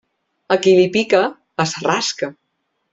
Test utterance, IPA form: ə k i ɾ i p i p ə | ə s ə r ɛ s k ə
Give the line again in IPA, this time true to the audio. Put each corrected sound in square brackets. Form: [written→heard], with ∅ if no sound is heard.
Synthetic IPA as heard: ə k i [ɾ→l] i p i [p→k] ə | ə s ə r [ɛ→a] s k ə